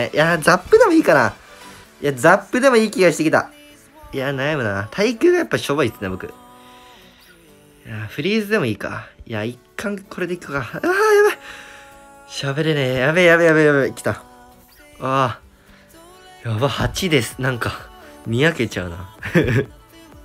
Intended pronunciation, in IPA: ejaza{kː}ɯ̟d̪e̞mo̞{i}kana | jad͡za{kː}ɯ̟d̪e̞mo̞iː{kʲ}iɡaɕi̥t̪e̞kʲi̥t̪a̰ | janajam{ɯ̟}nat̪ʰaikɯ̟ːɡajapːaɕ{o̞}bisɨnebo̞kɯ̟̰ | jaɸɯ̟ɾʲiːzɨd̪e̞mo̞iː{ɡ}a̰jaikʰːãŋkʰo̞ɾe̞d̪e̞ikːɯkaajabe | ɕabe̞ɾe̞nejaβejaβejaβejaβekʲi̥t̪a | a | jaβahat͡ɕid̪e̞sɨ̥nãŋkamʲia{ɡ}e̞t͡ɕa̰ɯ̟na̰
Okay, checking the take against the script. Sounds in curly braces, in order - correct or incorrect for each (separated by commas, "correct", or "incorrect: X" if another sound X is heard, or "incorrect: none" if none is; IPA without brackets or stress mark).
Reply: incorrect: pː, incorrect: iː, incorrect: pː, correct, correct, correct, incorrect: k, incorrect: k